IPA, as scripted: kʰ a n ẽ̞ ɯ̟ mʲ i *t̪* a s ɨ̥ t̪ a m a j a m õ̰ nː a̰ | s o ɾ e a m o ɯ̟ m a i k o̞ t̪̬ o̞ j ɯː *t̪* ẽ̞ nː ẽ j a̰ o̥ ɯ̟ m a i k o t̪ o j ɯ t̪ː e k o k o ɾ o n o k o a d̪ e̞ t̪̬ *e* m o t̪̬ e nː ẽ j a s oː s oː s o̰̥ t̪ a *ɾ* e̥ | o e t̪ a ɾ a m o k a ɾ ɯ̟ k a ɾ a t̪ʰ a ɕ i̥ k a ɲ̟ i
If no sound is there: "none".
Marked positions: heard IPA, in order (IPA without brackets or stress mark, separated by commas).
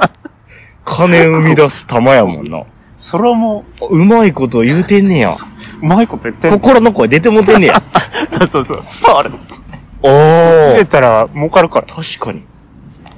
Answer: d̪, t̪, e, ɾ